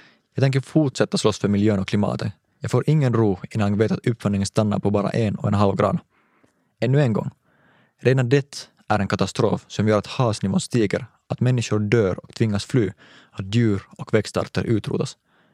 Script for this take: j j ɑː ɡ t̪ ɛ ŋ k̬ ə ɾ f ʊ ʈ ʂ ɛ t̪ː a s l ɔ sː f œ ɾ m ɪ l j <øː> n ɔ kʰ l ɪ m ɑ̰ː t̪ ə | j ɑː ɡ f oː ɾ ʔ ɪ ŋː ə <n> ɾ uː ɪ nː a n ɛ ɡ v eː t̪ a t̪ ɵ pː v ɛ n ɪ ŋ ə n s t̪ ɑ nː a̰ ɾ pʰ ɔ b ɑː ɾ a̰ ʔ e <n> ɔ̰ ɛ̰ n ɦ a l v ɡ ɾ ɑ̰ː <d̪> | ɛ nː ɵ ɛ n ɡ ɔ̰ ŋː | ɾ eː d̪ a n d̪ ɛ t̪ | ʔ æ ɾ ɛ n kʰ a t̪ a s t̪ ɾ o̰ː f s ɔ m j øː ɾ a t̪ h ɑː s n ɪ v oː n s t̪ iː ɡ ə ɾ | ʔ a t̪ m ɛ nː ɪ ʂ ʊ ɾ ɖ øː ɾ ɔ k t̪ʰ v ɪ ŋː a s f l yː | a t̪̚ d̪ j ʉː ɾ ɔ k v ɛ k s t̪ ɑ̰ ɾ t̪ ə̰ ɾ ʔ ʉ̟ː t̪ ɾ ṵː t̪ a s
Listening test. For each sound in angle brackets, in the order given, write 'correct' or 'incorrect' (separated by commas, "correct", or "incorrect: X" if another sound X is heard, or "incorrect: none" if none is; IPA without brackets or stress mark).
correct, correct, correct, correct